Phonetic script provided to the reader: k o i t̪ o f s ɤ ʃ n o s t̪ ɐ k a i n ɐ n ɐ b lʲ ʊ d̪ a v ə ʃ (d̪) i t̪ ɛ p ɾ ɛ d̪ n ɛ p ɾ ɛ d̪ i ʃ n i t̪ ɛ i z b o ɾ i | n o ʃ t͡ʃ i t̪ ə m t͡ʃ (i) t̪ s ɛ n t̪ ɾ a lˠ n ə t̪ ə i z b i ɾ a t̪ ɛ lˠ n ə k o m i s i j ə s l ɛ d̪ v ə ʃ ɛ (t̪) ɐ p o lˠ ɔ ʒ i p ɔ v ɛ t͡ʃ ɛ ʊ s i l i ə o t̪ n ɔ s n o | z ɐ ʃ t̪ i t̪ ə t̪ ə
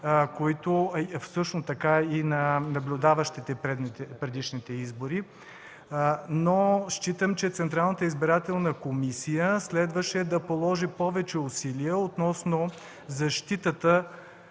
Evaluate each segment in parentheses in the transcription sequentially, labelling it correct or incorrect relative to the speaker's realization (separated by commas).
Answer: incorrect, incorrect, incorrect